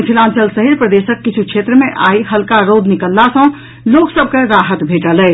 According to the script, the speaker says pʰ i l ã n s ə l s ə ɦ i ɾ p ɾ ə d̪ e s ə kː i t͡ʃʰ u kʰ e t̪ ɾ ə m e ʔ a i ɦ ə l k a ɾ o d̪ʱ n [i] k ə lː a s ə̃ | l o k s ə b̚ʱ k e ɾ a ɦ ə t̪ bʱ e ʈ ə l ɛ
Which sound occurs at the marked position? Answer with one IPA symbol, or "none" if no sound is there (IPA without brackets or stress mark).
i